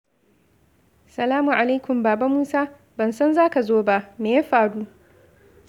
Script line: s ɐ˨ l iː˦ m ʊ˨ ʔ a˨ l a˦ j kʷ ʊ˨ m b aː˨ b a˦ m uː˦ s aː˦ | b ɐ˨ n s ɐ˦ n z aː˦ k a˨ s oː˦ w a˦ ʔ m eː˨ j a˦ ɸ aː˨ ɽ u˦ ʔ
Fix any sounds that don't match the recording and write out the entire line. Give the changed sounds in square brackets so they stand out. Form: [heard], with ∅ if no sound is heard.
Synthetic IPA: s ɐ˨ l [aː˦] m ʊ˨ ʔ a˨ l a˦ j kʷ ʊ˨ m b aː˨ b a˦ m uː˦ s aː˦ | b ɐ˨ n s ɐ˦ n z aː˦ k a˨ [z] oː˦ [b] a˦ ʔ m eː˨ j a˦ ɸ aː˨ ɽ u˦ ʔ

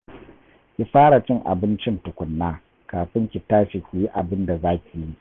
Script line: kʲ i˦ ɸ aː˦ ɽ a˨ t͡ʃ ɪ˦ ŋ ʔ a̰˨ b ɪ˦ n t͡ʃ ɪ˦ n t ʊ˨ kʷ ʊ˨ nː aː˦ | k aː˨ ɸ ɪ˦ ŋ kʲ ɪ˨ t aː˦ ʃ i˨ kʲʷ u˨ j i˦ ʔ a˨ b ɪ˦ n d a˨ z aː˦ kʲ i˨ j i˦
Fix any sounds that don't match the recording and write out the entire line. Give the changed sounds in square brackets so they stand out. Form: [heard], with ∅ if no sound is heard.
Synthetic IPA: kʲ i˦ ɸ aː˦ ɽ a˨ t͡ʃ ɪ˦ ŋ ʔ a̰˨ b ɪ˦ n t͡ʃ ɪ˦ n t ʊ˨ kʷ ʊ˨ nː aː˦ | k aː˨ ɸ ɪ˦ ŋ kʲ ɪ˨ t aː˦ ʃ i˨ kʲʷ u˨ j i˦ ʔ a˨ b ɪ˦ n d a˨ z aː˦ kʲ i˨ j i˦

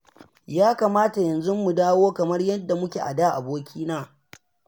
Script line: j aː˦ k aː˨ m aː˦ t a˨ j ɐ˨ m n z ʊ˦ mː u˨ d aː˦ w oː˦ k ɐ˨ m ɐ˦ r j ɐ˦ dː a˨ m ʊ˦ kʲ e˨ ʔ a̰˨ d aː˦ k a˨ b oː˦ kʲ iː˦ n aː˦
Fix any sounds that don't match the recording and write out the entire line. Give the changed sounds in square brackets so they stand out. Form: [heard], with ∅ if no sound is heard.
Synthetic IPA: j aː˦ k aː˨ m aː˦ t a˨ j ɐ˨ [∅] n z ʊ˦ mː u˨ d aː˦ w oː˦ k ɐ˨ m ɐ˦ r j ɐ˦ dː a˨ m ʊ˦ kʲ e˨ ʔ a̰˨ d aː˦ [ʔ] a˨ b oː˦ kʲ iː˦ n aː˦

